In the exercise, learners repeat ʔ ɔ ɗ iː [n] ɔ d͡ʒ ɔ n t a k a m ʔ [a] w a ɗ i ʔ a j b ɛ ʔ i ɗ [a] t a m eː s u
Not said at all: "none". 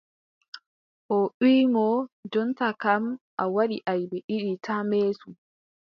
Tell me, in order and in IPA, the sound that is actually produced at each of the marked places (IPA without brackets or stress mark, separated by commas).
m, a, i